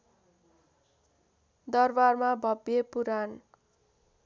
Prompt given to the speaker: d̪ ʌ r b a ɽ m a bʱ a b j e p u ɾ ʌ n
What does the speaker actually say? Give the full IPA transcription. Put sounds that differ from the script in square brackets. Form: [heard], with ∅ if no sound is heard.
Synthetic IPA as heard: d̪ ʌ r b a [r] m a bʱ [ʌ] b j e p u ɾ [a] n